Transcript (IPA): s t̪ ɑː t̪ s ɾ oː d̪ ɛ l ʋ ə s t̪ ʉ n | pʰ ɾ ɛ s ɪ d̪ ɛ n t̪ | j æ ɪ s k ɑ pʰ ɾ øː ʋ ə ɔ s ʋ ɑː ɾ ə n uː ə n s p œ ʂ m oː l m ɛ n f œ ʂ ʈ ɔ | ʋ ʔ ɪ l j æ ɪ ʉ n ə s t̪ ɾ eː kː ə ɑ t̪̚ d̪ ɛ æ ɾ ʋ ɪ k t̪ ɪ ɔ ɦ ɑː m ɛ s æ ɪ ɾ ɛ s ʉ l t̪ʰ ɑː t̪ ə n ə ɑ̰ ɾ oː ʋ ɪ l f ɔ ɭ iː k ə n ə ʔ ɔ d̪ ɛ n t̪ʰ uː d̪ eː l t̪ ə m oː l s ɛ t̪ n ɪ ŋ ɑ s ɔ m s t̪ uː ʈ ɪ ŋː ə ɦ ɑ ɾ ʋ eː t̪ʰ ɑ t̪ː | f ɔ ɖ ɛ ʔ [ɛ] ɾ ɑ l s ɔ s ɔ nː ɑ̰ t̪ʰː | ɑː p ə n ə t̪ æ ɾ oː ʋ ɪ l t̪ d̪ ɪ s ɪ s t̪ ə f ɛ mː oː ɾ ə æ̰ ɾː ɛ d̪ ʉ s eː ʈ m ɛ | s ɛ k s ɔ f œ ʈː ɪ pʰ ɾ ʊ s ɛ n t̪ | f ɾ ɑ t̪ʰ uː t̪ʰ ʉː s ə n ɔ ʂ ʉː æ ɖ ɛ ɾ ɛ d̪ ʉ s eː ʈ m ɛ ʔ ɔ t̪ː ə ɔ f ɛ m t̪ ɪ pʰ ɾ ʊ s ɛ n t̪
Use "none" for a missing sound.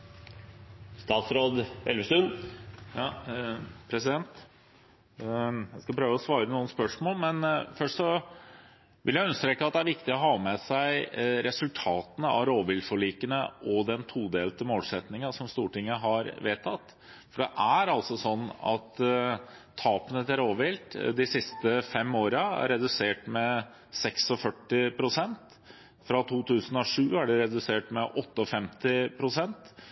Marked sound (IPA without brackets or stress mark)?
æ